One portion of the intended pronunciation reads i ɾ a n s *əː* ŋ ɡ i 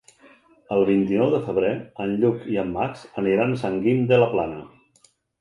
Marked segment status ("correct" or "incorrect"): incorrect